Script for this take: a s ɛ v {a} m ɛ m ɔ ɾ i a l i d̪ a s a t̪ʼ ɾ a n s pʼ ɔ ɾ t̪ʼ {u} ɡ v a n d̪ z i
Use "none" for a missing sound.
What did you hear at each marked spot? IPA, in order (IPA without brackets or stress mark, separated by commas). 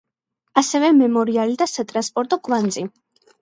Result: ɛ, ɔ